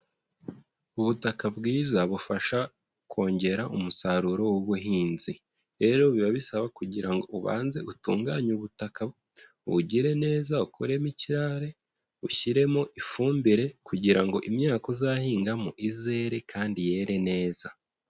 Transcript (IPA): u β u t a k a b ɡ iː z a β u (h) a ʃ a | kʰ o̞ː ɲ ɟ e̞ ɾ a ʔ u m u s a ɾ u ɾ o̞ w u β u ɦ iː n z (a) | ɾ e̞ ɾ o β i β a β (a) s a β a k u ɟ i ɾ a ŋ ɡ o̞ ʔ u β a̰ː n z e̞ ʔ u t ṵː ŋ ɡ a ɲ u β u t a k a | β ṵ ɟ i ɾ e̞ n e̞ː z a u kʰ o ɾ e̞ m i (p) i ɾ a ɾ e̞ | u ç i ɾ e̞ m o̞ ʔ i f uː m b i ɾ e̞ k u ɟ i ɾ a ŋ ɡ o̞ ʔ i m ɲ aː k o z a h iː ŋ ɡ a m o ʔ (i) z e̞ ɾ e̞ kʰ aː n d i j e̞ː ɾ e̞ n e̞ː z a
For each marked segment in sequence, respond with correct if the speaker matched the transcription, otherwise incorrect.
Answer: incorrect: f, incorrect: i, incorrect: i, incorrect: c, correct

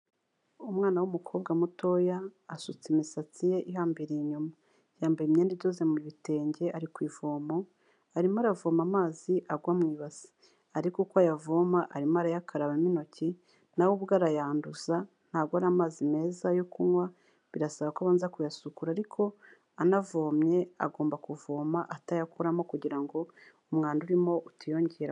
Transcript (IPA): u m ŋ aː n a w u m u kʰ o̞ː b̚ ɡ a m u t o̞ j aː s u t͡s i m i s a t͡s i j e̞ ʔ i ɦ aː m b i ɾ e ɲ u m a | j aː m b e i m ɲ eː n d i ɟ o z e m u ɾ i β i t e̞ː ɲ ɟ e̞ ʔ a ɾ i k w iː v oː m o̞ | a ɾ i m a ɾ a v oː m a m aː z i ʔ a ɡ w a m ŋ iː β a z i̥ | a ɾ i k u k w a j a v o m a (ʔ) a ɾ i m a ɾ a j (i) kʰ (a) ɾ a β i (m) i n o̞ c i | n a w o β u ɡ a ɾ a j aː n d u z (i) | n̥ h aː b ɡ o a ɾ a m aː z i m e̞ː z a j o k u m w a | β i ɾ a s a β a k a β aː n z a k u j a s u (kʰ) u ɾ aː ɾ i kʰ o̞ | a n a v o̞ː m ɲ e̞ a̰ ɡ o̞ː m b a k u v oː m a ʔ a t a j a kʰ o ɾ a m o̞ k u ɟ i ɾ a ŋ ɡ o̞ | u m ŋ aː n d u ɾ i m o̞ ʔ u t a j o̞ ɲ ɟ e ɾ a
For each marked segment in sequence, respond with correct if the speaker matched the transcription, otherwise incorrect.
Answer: correct, incorrect: a, correct, correct, incorrect: a, incorrect: k

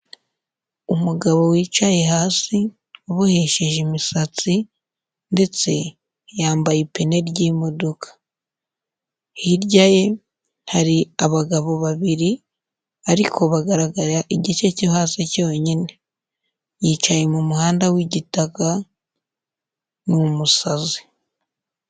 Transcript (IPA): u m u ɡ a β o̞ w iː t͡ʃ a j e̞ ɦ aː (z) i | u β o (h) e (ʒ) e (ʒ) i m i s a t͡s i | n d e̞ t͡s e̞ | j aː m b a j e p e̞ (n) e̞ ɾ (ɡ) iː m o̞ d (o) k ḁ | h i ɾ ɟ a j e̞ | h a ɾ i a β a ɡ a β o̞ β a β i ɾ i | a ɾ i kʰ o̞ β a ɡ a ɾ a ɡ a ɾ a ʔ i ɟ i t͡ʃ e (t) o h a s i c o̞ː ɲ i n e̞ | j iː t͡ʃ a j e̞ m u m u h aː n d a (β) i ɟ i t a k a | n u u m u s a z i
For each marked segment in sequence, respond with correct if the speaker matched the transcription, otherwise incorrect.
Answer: incorrect: s, correct, incorrect: ʃ, correct, correct, incorrect: ɟ, correct, incorrect: c, incorrect: w

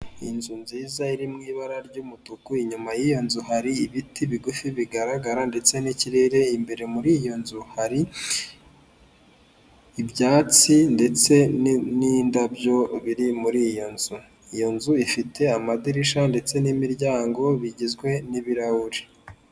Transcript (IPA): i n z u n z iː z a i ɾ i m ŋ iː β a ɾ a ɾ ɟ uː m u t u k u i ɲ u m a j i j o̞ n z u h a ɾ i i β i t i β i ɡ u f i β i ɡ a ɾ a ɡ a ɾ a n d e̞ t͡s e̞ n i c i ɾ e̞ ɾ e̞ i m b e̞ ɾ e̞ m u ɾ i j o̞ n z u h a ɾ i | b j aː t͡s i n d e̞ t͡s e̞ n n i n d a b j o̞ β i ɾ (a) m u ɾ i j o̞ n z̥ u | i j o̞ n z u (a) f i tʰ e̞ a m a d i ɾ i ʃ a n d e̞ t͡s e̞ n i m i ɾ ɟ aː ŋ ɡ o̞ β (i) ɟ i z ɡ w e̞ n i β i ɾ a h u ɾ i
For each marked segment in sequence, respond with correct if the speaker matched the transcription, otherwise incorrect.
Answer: incorrect: i, incorrect: i, correct

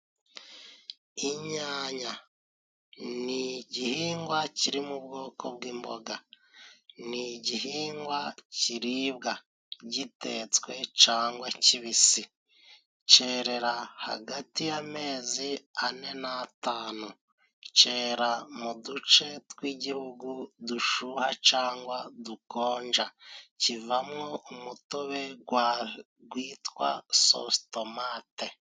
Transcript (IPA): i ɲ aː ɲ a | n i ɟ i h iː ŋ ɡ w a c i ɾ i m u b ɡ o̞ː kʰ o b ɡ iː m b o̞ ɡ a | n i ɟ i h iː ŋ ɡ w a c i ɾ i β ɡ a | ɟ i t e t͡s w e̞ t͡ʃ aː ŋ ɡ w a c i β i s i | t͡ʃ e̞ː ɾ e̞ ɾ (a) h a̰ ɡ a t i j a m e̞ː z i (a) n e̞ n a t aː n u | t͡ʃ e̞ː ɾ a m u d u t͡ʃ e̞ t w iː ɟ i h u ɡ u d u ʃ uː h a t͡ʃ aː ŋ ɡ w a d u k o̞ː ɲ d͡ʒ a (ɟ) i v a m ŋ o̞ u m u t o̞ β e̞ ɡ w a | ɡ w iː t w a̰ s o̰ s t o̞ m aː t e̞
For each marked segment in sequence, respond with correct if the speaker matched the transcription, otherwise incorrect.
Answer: correct, correct, incorrect: c

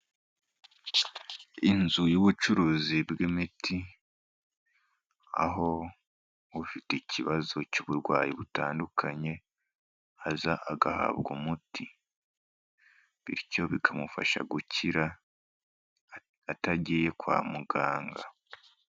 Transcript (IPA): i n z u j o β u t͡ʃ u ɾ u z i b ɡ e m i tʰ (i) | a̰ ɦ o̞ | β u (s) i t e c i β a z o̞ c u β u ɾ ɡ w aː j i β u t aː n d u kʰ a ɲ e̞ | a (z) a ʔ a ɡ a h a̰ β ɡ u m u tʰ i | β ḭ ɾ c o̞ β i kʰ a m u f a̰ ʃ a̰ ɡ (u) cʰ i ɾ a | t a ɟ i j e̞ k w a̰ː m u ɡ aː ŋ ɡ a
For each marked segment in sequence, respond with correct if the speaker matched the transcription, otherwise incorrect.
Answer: correct, incorrect: f, correct, correct

